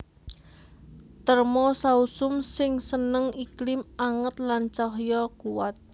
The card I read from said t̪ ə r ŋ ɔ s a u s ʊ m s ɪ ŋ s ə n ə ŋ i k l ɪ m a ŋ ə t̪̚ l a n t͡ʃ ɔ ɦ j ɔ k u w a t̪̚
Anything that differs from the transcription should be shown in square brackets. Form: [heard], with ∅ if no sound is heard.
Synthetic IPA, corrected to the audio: t̪ ə r [m] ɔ s a u s ʊ m s ɪ ŋ s ə n ə ŋ i k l ɪ m a ŋ ə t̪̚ l a n t͡ʃ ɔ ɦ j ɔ k u w a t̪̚